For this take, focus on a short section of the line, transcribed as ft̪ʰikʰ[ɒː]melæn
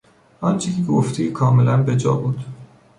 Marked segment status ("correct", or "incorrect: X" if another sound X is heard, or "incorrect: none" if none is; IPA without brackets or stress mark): correct